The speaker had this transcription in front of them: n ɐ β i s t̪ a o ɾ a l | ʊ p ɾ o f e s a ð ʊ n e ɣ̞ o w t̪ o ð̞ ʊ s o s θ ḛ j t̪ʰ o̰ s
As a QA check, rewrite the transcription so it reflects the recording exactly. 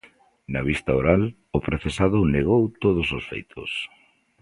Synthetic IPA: n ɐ β i s t̪ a o ɾ a l | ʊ p ɾ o θ e s a ð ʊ n e ɣ̞ o w t̪ o ð̞ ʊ s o s f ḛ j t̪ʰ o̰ s